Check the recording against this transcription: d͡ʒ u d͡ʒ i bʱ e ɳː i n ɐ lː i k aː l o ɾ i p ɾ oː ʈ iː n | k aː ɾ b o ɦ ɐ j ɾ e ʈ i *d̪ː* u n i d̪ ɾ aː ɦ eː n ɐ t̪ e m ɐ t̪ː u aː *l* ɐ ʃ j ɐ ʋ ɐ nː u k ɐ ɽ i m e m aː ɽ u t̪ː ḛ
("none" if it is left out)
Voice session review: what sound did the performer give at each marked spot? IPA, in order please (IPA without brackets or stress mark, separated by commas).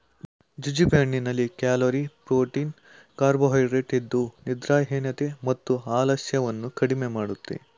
d̪ː, l